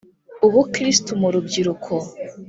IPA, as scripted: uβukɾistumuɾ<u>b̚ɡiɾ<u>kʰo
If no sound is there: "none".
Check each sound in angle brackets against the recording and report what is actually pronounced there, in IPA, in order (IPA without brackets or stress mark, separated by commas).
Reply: u, u